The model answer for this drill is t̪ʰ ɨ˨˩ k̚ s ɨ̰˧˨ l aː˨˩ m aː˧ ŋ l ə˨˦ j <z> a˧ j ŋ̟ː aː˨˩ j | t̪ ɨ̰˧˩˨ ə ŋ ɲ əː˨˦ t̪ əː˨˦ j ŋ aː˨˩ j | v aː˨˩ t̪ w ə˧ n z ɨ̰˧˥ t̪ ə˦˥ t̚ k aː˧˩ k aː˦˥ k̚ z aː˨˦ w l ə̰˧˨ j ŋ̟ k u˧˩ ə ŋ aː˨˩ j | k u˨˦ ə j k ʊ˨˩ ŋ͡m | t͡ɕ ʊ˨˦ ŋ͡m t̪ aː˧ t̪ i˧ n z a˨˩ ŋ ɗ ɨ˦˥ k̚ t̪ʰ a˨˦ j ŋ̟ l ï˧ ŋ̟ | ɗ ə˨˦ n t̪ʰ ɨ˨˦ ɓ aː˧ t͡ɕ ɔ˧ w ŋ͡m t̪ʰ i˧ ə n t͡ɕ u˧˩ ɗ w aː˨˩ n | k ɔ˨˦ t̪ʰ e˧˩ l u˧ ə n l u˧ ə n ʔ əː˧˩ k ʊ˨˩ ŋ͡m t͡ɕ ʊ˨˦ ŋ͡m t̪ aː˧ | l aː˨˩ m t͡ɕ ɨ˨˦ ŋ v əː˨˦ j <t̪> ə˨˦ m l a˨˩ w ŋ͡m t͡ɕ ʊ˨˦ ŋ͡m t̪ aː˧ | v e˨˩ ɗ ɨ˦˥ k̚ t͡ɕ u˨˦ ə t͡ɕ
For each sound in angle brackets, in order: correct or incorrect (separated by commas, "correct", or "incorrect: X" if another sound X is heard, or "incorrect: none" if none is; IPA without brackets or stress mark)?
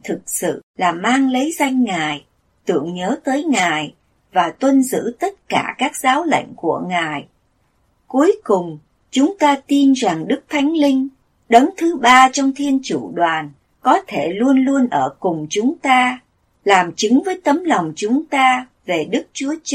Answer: correct, correct